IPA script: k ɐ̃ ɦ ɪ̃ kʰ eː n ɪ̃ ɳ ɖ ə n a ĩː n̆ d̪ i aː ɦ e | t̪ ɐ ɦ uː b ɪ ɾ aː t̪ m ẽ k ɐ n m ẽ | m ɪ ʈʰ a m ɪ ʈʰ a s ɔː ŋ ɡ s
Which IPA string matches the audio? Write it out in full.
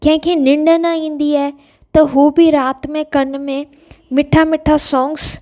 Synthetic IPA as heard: k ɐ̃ ɦ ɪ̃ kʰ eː n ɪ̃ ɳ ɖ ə n a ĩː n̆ d̪ i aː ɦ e | t̪ ɐ ɦ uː b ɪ ɾ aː t̪ m ẽ k ɐ n m ẽ | m ɪ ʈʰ a m ɪ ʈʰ a s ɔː ŋ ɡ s